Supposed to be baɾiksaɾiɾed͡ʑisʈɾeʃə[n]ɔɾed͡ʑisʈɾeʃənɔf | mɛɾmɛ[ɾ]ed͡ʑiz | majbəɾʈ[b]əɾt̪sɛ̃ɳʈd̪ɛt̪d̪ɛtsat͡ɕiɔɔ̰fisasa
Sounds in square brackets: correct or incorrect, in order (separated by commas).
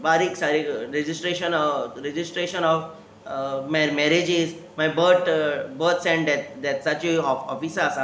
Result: correct, correct, correct